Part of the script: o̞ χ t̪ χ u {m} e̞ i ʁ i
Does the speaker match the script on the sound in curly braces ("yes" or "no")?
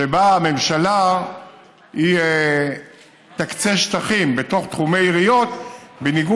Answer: yes